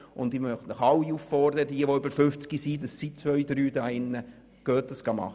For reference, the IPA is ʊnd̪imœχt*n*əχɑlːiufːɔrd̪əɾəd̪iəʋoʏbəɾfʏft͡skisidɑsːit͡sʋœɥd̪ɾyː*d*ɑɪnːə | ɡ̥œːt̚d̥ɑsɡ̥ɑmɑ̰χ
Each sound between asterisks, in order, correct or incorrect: correct, correct

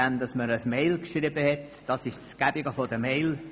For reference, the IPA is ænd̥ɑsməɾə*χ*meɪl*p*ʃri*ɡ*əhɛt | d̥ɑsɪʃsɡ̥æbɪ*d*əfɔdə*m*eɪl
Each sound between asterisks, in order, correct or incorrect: incorrect, incorrect, incorrect, incorrect, correct

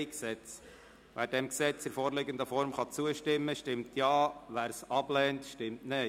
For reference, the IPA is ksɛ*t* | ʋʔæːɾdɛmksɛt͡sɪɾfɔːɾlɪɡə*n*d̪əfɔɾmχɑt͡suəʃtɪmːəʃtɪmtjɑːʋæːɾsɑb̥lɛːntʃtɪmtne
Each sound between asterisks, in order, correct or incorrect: incorrect, correct

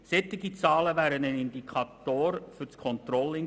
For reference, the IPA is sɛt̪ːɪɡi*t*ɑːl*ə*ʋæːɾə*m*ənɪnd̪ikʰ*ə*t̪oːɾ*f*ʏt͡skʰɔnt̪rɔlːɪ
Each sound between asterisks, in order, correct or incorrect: incorrect, correct, incorrect, incorrect, correct

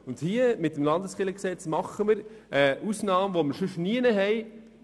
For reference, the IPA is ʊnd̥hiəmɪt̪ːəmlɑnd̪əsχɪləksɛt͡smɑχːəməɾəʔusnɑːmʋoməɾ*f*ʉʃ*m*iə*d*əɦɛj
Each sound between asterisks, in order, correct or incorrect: incorrect, incorrect, incorrect

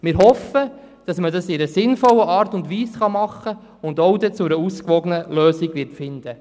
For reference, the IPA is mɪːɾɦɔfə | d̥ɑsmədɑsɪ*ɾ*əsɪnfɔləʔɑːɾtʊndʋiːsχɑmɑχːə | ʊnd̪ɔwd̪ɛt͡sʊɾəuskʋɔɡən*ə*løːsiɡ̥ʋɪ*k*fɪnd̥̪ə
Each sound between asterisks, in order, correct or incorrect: correct, correct, incorrect

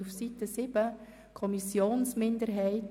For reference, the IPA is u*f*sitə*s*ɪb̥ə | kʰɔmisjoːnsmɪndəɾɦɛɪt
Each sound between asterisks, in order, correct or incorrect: correct, correct

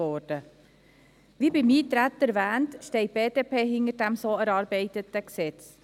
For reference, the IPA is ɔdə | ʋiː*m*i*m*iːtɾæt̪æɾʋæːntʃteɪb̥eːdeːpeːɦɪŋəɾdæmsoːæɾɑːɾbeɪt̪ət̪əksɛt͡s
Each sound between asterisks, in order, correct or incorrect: incorrect, correct

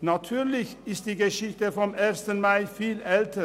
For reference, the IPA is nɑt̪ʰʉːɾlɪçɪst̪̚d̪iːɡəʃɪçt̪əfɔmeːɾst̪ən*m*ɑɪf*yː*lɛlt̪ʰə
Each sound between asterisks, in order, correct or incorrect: correct, incorrect

